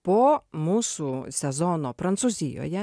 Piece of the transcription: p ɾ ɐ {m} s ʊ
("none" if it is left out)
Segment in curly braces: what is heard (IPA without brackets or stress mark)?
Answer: n